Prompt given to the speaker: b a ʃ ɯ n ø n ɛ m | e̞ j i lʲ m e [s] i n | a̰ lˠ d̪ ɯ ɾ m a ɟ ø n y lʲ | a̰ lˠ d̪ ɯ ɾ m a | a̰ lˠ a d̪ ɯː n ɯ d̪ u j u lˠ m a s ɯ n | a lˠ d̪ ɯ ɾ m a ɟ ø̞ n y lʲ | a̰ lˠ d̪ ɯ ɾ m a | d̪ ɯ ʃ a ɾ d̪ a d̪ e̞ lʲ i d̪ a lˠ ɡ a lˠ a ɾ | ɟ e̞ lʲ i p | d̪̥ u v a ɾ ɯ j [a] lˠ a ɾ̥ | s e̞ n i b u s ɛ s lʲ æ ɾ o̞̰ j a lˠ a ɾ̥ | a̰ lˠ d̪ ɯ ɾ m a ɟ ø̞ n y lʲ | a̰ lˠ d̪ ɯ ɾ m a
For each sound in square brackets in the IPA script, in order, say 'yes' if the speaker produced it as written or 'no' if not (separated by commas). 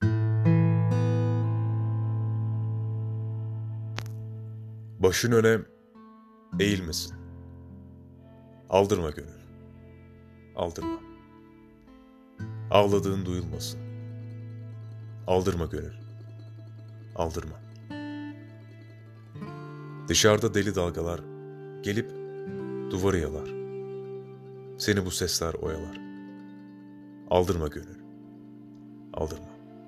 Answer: yes, yes